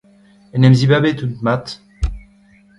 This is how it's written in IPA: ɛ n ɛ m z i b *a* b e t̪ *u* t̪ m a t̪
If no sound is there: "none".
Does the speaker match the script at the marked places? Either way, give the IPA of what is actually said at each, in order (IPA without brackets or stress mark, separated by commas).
a, u